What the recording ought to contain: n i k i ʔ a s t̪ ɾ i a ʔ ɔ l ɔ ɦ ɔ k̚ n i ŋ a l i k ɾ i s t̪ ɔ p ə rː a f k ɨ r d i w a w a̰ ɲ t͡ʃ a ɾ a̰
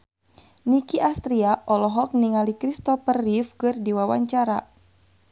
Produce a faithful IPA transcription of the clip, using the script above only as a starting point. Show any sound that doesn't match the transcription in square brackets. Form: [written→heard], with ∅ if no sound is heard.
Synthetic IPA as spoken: n i k i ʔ a s t̪ ɾ i a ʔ ɔ l ɔ ɦ ɔ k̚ n i ŋ a l i k ɾ i s t̪ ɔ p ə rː [a→i] f k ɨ r d i w a w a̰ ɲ t͡ʃ a ɾ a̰